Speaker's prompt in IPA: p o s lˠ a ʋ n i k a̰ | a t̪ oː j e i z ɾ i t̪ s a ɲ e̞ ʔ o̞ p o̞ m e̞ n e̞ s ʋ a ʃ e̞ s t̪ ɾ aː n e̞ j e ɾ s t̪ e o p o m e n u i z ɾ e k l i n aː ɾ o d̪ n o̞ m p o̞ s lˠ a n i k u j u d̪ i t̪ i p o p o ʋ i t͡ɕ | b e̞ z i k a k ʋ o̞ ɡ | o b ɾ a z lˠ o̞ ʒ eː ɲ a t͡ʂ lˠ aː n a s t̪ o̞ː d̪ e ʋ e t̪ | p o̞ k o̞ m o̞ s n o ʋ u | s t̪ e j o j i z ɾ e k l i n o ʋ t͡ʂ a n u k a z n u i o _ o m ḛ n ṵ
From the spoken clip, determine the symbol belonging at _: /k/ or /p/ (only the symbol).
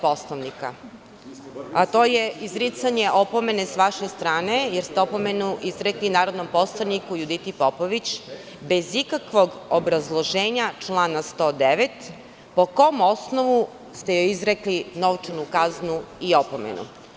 p